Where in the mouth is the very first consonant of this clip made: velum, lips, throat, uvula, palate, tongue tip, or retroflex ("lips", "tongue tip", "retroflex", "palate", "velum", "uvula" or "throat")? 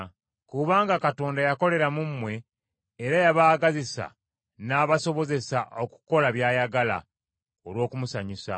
velum